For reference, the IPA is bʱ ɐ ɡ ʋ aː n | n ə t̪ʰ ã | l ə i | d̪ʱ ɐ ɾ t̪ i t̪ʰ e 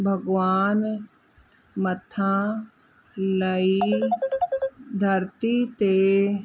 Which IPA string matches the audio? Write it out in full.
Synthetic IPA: bʱ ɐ ɡ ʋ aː n | m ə t̪ʰ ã | l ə i | d̪ʱ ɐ ɾ t̪ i t̪ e

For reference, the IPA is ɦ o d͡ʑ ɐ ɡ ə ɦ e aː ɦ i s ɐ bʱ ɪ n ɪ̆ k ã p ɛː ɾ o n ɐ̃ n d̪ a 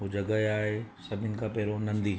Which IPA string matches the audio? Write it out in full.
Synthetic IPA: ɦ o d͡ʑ ɐ ɡ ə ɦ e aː ɦ e s ɐ bʱ ɪ n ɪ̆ k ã p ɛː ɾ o n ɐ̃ n d̪ i

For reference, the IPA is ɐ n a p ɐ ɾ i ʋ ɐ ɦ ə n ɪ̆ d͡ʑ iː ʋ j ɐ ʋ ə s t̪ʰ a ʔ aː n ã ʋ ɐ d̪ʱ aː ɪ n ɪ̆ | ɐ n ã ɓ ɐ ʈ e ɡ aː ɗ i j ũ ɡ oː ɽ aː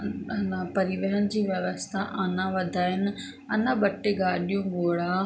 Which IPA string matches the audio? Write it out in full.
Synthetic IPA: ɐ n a p ɐ ɾ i ʋ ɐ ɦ ə n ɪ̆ d͡ʑ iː ʋ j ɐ ʋ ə s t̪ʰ a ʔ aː n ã ʋ ɐ d̪ʱ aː ɪ n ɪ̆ | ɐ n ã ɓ ɐ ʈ e ɡ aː ɗ i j ũ ɡ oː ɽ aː

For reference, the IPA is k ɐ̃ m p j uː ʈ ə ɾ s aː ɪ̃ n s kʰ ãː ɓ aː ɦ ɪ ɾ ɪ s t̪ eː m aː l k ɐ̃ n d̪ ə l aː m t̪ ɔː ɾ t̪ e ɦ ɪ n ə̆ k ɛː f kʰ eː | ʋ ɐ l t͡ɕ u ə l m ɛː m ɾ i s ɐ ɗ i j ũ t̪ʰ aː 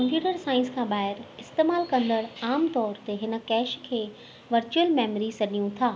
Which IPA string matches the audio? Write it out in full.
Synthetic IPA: k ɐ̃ m p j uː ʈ ə ɾ s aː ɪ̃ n s kʰ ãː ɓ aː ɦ ɪ ɾ ɪ s t̪ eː m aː l k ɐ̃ n d̪ ə ɽ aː m t̪ ɔː ɾ t̪ e ɦ ɪ n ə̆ k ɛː ʃ kʰ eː | ʋ ɐ ɾ t͡ɕ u ə l m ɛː m ɾ i s ɐ ɗ i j ũ t̪ʰ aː

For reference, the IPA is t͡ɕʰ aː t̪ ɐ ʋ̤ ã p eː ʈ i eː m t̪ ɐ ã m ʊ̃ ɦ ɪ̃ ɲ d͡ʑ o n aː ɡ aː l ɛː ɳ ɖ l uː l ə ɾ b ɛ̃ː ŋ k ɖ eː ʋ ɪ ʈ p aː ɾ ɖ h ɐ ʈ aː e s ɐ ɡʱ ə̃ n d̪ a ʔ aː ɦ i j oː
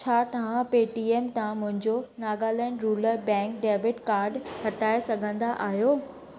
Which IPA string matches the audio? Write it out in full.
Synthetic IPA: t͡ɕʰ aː t̪ ɐ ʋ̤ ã p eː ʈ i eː m t̪ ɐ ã m ʊ̃ ɦ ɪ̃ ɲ d͡ʑ o n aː ɡ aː l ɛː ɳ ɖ ɾ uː l ə ɾ b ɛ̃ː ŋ k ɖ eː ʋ ɪ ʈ k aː ɾ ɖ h ɐ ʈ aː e s ɐ ɡʱ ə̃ n d̪ a ʔ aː ɦ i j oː

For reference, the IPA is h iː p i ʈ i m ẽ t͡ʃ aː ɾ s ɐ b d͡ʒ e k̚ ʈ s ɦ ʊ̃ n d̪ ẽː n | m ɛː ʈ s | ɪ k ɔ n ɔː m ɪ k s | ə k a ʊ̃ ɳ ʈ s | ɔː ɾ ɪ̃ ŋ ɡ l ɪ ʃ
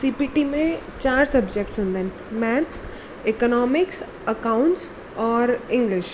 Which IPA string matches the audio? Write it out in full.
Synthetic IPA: s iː p i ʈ i m ẽ t͡ʃ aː ɾ s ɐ b d͡ʒ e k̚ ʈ s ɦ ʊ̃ n d̪ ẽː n | m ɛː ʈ s | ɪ k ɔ n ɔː m ɪ k s | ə k a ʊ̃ ɳ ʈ s | ɔː ɾ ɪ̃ ŋ ɡ l ɪ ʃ

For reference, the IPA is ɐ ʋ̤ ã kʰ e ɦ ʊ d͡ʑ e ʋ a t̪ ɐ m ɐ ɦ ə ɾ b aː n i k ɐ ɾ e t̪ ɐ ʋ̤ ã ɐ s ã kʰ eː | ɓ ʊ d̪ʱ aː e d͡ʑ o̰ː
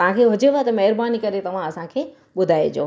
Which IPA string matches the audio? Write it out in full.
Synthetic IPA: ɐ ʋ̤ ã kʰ e ɦ ʊ d͡ʑ e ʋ a t̪ ɐ m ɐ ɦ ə ɾ b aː n i k ɐ ɾ e t̪ ɐ ʋ̤ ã ɐ s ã kʰ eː | ɓ ʊ d̪ʱ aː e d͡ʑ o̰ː

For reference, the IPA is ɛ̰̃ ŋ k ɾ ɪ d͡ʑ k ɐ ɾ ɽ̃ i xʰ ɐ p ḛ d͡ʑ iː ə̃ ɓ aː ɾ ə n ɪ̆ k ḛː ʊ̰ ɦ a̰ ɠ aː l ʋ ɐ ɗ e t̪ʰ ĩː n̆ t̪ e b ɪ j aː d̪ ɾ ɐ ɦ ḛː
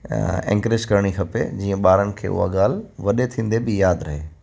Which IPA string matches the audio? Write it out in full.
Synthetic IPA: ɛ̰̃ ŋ k ɾ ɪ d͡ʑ k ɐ ɾ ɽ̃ i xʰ ɐ p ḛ d͡ʑ iː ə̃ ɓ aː ɾ ə n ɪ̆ kʰ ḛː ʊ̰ ɦ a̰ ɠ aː l ʋ ɐ ɗ e t̪ʰ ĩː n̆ d̪ e b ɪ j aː d̪ ɾ ɐ ɦ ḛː

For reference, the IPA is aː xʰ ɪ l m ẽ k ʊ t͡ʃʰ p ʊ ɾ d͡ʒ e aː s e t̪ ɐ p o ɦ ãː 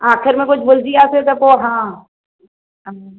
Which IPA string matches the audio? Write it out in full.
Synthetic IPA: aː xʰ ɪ ɾ m ẽ k ʊ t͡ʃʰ b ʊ l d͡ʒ i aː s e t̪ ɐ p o ɦ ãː

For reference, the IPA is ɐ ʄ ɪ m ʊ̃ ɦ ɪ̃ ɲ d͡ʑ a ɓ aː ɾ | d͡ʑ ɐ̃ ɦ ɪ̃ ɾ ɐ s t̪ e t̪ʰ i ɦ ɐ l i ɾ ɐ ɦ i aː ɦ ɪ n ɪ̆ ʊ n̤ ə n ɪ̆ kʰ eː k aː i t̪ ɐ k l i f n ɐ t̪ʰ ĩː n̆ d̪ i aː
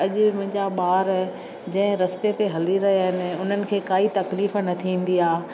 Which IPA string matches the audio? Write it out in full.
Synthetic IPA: ɐ ʄ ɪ m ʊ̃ ɦ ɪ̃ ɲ d͡ʑ a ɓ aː ɾ | d͡ʑ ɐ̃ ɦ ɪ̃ ɾ ɐ s t̪ e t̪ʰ e ɦ ɐ l i ɾ ɐ ɦ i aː ɦ ɪ n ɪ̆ ʊ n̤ ə n ɪ̆ kʰ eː k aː i t̪ ɐ k l iː f n ɐ t̪ʰ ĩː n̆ d̪ i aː

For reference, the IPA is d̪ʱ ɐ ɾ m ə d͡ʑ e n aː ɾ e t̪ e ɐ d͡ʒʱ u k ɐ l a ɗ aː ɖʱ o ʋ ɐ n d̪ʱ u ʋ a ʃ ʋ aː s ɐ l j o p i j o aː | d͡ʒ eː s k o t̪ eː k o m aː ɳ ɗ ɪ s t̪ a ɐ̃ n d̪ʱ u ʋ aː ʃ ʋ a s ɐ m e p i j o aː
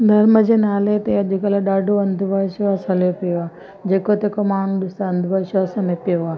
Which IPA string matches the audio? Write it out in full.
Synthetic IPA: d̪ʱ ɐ ɾ m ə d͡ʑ e n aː l e t̪ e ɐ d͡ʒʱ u k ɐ l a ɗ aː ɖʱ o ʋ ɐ n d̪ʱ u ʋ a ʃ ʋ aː s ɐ l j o p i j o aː | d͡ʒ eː k o t̪ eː k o m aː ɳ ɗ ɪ s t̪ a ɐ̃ n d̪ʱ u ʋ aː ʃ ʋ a s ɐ m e p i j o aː

